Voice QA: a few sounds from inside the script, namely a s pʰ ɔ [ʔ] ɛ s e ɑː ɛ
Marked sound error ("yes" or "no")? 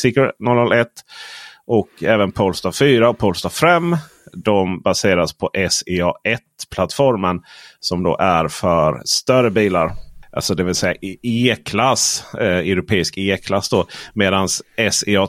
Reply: no